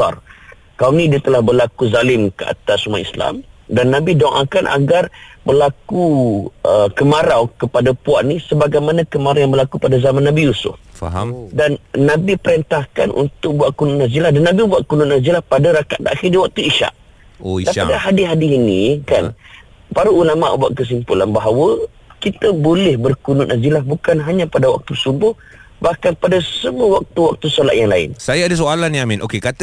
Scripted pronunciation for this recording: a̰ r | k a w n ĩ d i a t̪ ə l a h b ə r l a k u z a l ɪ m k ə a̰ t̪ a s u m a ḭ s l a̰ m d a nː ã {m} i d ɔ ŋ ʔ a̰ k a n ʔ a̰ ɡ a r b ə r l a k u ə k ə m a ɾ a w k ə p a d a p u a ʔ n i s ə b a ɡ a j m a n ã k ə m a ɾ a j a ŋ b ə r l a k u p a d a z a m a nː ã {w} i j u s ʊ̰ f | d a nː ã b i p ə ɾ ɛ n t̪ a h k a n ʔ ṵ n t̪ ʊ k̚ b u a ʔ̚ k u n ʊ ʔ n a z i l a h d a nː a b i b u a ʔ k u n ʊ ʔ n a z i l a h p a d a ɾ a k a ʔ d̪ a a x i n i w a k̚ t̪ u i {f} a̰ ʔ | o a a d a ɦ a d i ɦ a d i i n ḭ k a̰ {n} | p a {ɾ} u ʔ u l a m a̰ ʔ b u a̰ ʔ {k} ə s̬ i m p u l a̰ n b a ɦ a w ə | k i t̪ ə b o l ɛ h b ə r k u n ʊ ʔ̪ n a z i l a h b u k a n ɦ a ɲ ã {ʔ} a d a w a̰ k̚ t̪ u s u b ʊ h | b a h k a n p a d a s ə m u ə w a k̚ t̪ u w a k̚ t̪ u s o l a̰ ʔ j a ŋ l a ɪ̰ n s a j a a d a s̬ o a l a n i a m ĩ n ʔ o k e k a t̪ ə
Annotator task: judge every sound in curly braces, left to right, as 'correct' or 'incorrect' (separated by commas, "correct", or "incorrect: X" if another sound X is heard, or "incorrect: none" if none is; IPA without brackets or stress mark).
incorrect: b, incorrect: b, incorrect: ʃ, correct, correct, correct, incorrect: p